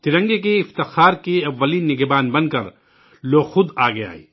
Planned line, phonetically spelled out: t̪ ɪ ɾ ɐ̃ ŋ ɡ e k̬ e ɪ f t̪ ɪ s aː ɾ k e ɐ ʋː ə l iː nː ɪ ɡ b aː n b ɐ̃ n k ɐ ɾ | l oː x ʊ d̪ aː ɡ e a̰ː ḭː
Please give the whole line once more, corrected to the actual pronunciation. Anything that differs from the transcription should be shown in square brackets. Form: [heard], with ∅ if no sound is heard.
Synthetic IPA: t̪ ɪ ɾ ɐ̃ ŋ ɡ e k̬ e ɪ f t̪ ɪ [x] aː ɾ k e ɐ ʋː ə l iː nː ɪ ɡ b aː n b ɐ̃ n k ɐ ɾ | l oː x ʊ d̪ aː ɡ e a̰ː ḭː